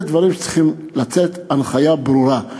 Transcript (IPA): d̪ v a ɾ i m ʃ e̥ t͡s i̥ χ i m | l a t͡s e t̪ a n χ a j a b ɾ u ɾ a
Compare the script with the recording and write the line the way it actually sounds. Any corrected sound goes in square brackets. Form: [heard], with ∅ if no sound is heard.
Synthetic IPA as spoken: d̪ v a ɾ i m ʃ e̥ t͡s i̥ χ i m | l a t͡s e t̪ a n χ a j a b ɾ u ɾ a